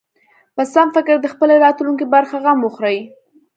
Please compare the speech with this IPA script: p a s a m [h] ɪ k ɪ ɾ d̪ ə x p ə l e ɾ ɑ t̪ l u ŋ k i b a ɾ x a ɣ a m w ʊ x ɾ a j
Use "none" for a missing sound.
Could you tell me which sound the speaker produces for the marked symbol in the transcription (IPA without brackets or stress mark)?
f